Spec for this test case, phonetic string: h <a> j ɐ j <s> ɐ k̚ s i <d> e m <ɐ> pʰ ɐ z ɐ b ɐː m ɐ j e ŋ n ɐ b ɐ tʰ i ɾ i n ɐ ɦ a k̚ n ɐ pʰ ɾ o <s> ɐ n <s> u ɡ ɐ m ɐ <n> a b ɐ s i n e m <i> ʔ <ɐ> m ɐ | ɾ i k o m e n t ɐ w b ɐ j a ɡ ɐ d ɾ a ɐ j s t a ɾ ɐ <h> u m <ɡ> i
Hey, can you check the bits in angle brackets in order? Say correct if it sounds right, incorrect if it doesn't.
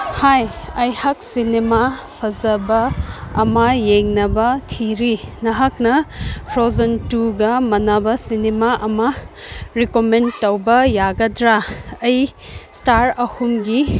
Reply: correct, incorrect: h, incorrect: n, incorrect: a, incorrect: z, incorrect: t, correct, incorrect: a, correct, correct, correct

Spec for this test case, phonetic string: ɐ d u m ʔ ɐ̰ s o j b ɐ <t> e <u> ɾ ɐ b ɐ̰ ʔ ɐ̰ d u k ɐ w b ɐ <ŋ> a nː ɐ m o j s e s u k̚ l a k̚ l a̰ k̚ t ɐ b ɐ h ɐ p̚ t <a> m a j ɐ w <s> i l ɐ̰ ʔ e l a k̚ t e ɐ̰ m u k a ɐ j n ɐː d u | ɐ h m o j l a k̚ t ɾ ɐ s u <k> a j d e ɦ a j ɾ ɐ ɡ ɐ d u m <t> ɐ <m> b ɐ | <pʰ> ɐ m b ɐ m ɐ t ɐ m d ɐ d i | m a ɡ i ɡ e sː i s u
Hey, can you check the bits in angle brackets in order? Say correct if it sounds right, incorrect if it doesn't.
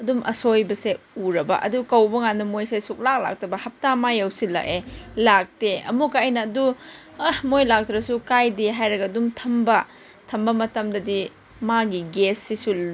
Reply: incorrect: s, correct, correct, correct, correct, correct, incorrect: tʰ, correct, incorrect: tʰ

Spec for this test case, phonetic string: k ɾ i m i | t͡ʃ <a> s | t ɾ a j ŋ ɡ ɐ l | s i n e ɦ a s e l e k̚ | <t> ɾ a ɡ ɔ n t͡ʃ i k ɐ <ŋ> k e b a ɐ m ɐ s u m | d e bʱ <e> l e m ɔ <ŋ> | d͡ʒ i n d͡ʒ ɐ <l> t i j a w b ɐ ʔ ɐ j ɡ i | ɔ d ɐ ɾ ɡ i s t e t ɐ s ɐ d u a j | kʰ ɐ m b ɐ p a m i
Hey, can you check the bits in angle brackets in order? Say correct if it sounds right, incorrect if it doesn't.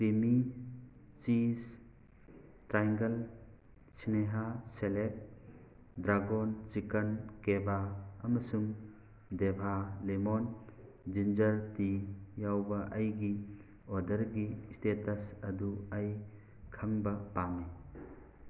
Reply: incorrect: i, incorrect: d, incorrect: n, incorrect: a, incorrect: n, incorrect: ɾ

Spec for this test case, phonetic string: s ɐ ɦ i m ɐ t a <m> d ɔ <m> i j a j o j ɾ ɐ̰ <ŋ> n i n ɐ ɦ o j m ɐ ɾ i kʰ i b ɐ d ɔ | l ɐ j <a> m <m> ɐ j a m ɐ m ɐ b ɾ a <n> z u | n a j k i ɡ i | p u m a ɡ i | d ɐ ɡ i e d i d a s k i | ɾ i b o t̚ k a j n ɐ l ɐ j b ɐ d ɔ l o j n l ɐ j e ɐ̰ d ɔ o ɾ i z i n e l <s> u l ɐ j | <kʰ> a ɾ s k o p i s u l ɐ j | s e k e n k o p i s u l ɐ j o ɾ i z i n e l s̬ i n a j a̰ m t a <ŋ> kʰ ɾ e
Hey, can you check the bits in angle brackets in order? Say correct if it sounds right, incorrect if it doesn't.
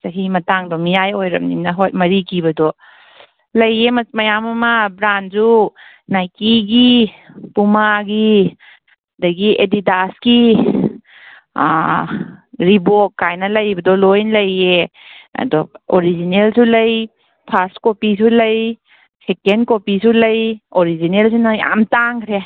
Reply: incorrect: ŋ, correct, incorrect: m, incorrect: e, correct, correct, correct, incorrect: pʰ, correct

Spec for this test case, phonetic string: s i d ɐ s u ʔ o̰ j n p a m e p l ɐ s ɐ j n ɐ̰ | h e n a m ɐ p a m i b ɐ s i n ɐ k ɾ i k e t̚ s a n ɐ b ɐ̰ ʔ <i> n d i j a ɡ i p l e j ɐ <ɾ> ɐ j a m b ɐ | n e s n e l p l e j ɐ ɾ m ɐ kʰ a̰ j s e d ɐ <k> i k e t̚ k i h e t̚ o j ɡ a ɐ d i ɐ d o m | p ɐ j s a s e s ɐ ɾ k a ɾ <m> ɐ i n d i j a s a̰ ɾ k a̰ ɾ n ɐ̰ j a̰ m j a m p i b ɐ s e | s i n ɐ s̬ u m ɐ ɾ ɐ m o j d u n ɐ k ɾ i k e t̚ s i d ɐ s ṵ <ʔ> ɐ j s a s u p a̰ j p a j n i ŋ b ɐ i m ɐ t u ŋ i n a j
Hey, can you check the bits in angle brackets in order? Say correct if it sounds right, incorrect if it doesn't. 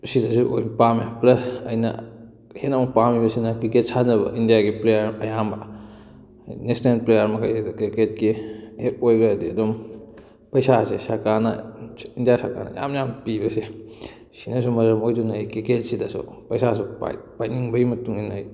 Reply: correct, correct, correct, incorrect: n, incorrect: p

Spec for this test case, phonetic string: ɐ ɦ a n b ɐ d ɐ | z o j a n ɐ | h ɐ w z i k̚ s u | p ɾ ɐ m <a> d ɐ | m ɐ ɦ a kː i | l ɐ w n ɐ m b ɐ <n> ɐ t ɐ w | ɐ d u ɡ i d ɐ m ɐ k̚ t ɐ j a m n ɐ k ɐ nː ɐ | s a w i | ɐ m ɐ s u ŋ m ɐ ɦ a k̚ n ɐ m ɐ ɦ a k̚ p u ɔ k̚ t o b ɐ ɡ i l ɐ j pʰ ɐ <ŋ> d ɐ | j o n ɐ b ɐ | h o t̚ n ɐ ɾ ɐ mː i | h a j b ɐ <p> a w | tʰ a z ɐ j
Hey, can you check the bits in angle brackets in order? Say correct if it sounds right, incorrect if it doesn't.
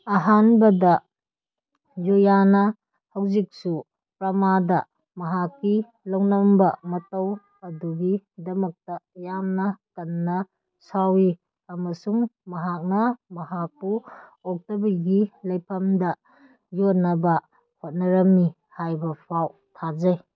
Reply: correct, incorrect: m, incorrect: m, incorrect: pʰ

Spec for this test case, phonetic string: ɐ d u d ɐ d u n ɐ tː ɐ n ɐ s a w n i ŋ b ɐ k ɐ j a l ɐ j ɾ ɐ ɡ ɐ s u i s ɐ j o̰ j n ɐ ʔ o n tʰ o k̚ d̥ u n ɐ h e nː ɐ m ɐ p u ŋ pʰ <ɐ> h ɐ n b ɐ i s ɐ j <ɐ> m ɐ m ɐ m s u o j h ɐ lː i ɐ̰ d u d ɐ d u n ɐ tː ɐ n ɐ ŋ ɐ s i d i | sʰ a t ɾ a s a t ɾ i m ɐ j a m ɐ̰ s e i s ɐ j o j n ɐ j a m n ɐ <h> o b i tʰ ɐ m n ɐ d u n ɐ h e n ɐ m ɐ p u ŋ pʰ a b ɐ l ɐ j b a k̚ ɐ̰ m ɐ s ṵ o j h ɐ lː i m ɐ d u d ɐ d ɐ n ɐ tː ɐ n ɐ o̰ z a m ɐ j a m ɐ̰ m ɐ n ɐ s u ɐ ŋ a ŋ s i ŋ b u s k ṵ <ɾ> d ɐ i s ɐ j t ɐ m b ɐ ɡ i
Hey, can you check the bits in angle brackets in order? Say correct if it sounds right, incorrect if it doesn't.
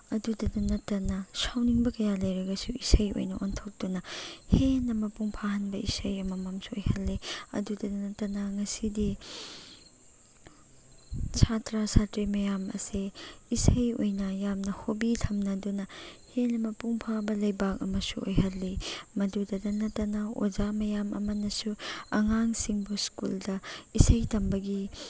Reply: incorrect: a, correct, correct, incorrect: l

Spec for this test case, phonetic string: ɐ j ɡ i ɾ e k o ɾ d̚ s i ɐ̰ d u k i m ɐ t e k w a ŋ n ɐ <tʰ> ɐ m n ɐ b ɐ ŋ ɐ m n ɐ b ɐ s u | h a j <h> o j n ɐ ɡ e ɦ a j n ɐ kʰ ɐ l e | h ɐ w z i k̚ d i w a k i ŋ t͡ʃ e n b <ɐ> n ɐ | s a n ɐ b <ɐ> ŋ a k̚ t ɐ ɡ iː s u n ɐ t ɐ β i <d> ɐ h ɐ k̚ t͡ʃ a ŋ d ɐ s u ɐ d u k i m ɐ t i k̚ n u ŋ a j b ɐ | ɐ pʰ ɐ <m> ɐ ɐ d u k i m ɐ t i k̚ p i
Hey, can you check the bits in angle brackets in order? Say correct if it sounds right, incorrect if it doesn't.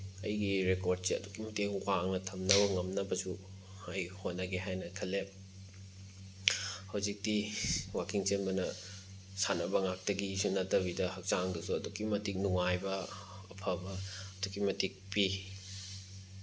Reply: correct, correct, correct, correct, correct, incorrect: b

